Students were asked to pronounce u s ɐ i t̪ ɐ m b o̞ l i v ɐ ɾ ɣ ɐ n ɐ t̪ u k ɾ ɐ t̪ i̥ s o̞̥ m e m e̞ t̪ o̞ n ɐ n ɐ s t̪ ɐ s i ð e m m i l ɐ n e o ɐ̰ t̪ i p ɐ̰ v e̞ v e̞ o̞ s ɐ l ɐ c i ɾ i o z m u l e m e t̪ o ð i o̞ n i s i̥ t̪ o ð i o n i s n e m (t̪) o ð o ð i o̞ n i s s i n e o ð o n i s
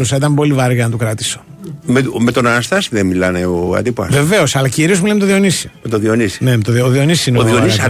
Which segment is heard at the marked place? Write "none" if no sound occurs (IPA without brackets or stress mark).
t̪